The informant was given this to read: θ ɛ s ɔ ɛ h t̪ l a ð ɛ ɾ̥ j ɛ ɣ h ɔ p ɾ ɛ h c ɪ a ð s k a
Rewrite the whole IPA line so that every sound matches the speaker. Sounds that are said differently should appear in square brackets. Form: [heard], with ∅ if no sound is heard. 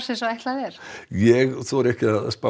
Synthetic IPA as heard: [s] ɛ s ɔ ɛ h t̪ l a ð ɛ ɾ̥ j ɛ ɣ [θ] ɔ [∅] ɾ ɛ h c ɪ a ð s [p] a